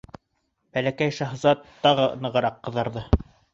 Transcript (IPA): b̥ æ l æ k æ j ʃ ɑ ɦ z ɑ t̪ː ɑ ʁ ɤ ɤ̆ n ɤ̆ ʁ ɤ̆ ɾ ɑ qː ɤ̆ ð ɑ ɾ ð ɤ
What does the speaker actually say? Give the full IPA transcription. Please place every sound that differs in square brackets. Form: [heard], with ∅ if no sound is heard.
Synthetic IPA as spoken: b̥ æ l æ k æ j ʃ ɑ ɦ z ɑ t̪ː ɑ ʁ ɤ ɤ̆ n ɤ̆ ʁ ɤ̆ ɾ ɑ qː ɤ̆ ð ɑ ɾ ð ɤ